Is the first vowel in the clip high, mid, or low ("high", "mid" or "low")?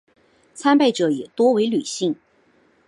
low